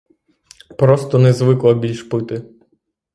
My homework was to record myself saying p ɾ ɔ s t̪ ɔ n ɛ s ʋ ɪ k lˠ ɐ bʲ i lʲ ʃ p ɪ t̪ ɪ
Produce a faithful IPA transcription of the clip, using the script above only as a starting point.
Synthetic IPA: p ɾ ɔ s t̪ ɔ n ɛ z ʋ ɪ k lˠ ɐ bʲ i lʲ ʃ p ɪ t̪ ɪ

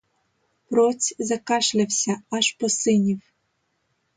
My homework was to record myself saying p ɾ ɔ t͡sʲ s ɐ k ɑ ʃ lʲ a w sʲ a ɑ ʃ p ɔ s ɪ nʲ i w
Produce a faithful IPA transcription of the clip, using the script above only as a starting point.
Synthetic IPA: p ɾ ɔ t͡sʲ z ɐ k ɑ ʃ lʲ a w sʲ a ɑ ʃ p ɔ s ɪ nʲ i w

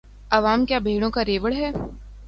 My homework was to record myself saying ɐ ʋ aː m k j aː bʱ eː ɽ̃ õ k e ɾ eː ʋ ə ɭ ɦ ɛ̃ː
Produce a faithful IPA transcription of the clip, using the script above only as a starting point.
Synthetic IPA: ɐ ʋ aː m k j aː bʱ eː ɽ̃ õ k a ɾ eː ʋ ə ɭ ɦ ɛː

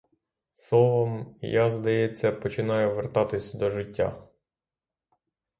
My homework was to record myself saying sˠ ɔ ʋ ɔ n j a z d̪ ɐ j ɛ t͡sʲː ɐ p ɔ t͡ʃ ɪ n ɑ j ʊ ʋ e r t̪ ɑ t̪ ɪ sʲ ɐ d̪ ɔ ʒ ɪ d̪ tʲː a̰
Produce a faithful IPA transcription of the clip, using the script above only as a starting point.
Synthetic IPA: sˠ ɔ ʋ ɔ m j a z d̪ ɐ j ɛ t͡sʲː ɐ p ɔ t͡ʃ ɪ n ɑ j ʊ ʋ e r t̪ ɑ t̪ ɪ sʲ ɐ d̪ ɔ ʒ ɪ tʲː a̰

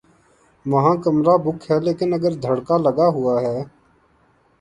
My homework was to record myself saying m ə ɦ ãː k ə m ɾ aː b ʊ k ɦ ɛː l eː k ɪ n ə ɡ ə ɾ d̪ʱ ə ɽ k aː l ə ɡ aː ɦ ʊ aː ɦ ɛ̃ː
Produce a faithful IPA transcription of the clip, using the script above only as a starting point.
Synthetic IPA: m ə ɦ ãː k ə m ɾ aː b ʊ k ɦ ɛː l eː k ɪ n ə ɡ ə ɾ d̪ʱ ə ɽ k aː l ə ɡ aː ɦ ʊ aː ɦ ɛː

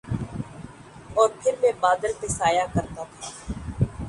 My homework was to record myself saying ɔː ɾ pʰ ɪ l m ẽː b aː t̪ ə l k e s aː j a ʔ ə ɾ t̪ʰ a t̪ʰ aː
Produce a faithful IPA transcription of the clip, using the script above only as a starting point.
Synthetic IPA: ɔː ɾ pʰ ɪ ɾ m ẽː b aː d̪ ə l p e s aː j a k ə ɾ t̪ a t̪ʰ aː

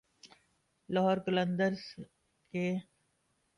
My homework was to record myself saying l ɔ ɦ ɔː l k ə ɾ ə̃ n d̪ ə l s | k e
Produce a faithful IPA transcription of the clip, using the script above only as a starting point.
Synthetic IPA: l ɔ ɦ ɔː ɾ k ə l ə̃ n d̪ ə ɾ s | k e

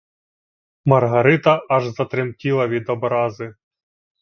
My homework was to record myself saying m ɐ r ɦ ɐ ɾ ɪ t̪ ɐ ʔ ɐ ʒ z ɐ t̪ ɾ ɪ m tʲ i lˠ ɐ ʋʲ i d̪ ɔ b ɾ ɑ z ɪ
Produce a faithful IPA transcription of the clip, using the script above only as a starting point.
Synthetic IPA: m ɐ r ɦ ɐ ɾ ɪ t̪ ɐ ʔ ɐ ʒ z ɐ t̪ ɾ ɪ m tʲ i lˠ ɐ ʋʲ i d̪ ɔ b ɾ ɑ z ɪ

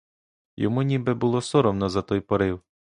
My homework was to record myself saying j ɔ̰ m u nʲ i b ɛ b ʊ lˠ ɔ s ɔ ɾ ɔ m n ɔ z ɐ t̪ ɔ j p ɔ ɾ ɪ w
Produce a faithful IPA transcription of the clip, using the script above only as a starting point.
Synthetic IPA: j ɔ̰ m u nʲ i b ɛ b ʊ lˠ ɔ s ɔ ɾ ɔ m n ɔ z ɐ t̪ ɔ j p ɔ ɾ ɪ w

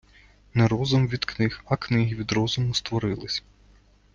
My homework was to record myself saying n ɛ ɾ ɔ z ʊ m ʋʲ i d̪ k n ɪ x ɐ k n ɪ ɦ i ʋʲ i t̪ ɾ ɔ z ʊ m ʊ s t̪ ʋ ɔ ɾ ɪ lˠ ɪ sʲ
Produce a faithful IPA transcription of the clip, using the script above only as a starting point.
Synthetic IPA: n ɛ ɾ ɔ z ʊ m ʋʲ i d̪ k n ɪ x ɐ k n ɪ ɦ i ʋʲ i d̪ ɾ ɔ z ʊ m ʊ s t̪ ʋ ɔ ɾ ɪ lˠ ɪ sʲ

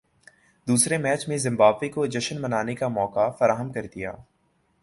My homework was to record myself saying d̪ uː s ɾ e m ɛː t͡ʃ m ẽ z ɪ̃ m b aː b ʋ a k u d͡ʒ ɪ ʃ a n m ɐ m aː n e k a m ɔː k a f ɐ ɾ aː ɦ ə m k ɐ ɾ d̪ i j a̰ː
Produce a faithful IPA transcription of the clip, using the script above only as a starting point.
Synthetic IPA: d̪ uː s ɾ e m ɛː t͡ʃ m ẽ z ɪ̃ m b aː b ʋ e k o d͡ʒ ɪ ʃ ə n m ɐ n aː n e k a m ɔː k a f ɐ ɾ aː ɦ ə m k ɐ ɾ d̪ i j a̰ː

